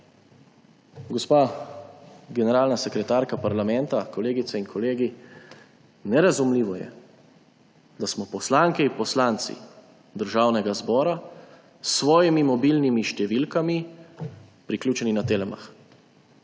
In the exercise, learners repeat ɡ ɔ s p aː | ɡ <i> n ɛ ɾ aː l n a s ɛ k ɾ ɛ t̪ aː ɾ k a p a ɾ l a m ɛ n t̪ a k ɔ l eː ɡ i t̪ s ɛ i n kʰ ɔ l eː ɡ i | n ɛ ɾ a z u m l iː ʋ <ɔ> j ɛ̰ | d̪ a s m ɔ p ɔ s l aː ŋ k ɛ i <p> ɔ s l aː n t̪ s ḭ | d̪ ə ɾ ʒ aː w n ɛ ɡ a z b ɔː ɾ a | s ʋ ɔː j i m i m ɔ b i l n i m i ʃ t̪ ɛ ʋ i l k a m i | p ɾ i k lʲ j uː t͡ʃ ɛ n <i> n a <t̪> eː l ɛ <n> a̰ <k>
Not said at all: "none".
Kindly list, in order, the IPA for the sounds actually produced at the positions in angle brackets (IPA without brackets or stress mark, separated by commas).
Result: ɛ, ɔ, p, i, t̪, m, x